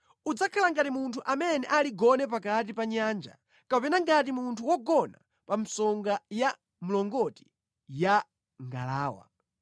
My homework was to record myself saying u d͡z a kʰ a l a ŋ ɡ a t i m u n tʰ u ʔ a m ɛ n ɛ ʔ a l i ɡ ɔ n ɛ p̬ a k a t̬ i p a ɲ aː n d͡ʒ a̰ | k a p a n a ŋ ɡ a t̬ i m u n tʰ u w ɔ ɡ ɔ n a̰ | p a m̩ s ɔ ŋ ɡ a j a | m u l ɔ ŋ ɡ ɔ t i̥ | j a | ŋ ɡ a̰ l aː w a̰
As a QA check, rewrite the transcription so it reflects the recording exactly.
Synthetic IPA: u d͡z a kʰ a l a ŋ ɡ a t i m u n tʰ u ʔ a m ɛ n ɛ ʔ a l i ɡ ɔ n ɛ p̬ a k a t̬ i p a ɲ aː n d͡ʒ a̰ | k a p ɛ n a ŋ ɡ a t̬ i m u n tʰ u w ɔ ɡ ɔ n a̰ | p a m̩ s ɔ ŋ ɡ a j a | m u l ɔ ŋ ɡ ɔ t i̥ | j a | ŋ ɡ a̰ l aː w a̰